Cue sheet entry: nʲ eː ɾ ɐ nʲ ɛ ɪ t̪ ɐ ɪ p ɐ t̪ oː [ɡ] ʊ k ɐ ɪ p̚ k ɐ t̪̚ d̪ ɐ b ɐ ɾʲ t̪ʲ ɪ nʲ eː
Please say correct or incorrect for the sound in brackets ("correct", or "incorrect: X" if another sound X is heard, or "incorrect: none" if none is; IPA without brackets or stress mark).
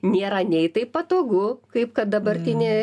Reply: correct